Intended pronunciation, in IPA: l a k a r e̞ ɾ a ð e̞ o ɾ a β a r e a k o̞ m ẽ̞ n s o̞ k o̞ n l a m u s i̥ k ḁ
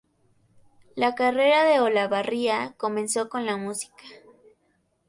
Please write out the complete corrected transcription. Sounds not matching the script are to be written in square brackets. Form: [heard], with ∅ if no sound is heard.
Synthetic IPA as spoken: l a k a r e̞ ɾ a ð e̞ o [l] a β a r [i] a k o̞ m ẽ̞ n s o̞ k o̞ n l a m u s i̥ k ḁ

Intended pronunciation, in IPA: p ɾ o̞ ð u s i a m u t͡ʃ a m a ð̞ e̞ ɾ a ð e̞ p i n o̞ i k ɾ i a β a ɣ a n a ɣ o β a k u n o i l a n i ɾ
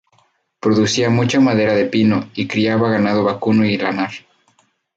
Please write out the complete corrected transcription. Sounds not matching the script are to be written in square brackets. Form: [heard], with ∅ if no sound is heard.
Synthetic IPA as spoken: p ɾ o̞ ð u s i a m u t͡ʃ a m a ð̞ e̞ ɾ a ð e̞ p i n o̞ i k ɾ i a β a ɣ a n a [ð] o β a k u n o i l a n [a] ɾ

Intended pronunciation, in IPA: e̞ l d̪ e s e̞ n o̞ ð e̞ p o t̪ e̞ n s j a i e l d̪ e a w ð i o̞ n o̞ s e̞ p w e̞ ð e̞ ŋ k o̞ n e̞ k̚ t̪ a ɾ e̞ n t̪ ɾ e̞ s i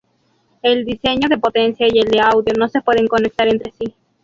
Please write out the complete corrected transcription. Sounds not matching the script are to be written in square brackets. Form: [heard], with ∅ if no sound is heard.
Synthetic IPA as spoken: e̞ l d̪ [i] s e̞ [ɲ] o̞ ð e̞ p o t̪ e̞ n s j a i e l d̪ e a w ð [j] o̞ n o̞ s e̞ p w e̞ ð e̞ ŋ k o̞ n e̞ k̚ t̪ a ɾ e̞ n t̪ ɾ e̞ s i

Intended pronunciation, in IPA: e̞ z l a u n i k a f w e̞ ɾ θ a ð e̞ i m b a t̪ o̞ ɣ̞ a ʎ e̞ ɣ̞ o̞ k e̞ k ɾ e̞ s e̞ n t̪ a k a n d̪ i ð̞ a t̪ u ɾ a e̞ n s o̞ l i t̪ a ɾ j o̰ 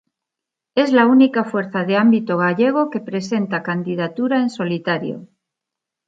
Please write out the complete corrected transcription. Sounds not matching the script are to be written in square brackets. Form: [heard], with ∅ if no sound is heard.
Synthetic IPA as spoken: e̞ z l a u n i k a f w e̞ ɾ θ a ð e̞ [a] m b [i] t̪ o̞ ɣ̞ a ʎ e̞ ɣ̞ o̞ k e̞ [p] ɾ e̞ s e̞ n t̪ a k a n d̪ i ð̞ a t̪ u ɾ a e̞ n s o̞ l i t̪ a ɾ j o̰

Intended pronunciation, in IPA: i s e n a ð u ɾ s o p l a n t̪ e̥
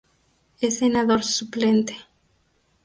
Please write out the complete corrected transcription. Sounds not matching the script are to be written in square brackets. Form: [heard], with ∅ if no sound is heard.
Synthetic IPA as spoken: [e] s e n a ð [o] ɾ s [u] p l [e] n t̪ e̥

